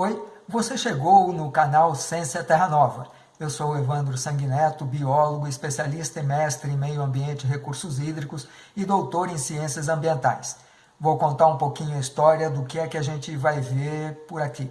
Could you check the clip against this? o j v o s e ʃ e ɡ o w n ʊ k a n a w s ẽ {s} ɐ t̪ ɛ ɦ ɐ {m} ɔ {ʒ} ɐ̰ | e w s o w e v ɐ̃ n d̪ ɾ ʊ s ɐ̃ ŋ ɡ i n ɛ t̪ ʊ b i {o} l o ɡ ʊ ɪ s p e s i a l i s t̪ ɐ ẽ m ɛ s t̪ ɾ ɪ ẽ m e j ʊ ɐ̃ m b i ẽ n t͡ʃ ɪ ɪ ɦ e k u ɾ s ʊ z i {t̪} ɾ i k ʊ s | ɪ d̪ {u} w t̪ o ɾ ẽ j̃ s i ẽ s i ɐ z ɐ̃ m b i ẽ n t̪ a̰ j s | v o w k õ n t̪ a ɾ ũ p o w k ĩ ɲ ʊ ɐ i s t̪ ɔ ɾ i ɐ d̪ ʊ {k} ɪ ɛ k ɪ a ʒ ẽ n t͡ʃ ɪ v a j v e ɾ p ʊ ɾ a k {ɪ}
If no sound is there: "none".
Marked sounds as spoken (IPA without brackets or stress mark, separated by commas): s, n, v, ɔ, d̪, o, k, i